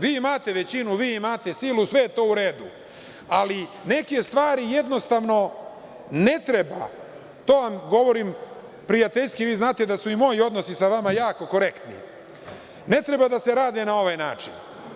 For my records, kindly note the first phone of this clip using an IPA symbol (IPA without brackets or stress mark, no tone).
ʋ